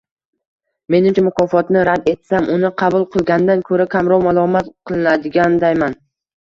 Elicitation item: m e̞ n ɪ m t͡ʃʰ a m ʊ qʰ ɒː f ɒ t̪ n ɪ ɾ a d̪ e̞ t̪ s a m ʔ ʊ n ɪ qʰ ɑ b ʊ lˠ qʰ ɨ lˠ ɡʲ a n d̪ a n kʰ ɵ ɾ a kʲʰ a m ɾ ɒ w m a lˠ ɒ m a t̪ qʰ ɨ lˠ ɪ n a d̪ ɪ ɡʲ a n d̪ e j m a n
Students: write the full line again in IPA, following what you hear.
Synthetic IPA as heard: m e̞ n ɪ m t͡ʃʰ a m ʊ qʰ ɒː f ɒ t̪ n ɪ ɾ a d̪ e̞ t̪ s a m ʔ ʊ n ɪ qʰ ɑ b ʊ lˠ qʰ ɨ lˠ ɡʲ a n d̪ a n kʰ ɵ ɾ a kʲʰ a m ɾ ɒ w m a lˠ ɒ m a t̪ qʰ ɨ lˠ ɪ n a d̪ ɪ ɡʲ a n d̪ a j m a n